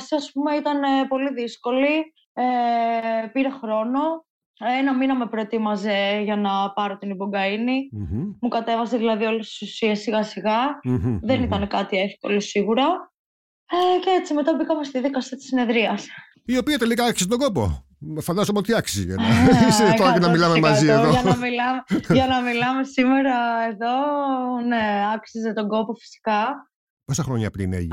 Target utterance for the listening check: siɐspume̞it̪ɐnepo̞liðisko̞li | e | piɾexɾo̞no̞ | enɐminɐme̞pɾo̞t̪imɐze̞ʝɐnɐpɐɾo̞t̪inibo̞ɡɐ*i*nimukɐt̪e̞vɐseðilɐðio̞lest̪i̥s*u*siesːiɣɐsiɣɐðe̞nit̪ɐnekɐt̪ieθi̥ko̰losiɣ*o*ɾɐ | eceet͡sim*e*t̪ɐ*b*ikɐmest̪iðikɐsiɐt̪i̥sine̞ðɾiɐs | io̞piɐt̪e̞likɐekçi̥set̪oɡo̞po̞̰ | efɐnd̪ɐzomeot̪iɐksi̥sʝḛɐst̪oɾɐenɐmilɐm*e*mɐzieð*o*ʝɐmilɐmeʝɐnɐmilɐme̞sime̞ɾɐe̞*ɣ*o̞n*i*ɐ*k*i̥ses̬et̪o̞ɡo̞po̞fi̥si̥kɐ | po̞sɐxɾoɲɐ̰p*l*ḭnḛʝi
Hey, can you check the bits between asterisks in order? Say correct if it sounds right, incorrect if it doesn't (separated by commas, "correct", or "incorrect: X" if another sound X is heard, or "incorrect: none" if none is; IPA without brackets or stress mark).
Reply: correct, correct, incorrect: u, correct, correct, correct, correct, incorrect: ð, incorrect: e, correct, incorrect: ɾ